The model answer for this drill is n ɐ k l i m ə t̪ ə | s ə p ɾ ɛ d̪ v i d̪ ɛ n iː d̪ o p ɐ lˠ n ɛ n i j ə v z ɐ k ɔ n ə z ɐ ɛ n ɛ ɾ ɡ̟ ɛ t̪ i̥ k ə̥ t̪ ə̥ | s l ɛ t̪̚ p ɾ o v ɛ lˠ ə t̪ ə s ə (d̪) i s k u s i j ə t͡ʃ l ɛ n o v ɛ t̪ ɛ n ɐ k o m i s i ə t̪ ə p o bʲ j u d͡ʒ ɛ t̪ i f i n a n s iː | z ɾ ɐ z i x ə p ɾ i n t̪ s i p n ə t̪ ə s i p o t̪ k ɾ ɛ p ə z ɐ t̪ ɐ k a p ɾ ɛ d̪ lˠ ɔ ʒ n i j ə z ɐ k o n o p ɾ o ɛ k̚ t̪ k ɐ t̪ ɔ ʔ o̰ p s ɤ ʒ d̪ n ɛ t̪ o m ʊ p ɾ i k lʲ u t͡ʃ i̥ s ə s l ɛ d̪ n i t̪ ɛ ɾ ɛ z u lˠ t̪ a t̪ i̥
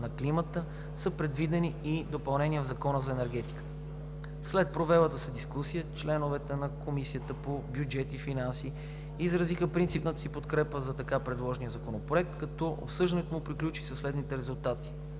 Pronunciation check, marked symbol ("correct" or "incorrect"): correct